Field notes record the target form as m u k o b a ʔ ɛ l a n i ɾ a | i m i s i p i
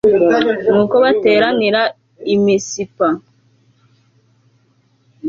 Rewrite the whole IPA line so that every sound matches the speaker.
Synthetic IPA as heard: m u k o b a t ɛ ɾ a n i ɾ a | i m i s i p a

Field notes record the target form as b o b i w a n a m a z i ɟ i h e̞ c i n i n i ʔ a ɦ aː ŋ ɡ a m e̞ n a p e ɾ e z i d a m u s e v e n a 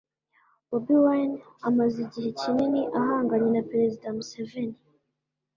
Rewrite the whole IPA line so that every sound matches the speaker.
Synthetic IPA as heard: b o b i w a n a m a z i ɟ i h e̞ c i n i n i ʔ a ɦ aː ŋ ɡ a ɲ e̞ n a p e ɾ e z i d a m u s e v e n i

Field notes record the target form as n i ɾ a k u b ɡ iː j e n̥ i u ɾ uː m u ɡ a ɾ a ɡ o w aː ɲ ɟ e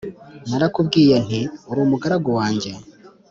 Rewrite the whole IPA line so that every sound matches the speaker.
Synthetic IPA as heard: n a ɾ a k u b ɡ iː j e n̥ i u ɾ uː m u ɡ a ɾ a ɡ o w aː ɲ ɟ e

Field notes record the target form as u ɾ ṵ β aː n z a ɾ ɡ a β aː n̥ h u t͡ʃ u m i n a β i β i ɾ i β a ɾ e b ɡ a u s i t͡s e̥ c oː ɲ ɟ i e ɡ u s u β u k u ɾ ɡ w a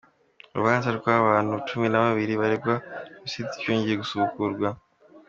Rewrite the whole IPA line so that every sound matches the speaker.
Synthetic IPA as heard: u ɾ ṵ β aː n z a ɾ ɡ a β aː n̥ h u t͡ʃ u m i n a β a β i ɾ i β a ɾ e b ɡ a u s i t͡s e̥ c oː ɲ ɟ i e ɡ u s u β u k u ɾ ɡ w a

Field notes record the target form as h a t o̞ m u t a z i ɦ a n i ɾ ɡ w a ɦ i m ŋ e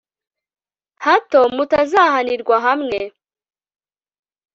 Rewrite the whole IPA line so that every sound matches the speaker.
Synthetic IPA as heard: h a t o̞ m u t a z a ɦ a n i ɾ ɡ w a ɦ a m ŋ e

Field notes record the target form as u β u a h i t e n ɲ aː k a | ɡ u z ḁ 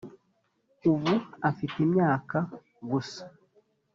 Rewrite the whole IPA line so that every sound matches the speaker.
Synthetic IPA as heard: u β u a f i t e m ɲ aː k a | ɡ u s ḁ

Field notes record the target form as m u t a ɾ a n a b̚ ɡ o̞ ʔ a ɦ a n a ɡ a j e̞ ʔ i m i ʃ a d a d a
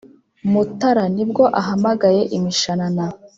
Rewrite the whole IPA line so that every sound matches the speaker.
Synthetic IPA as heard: m u t a ɾ a n i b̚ ɡ o̞ ʔ a ɦ a m a ɡ a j e̞ ʔ i m i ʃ a n a n a

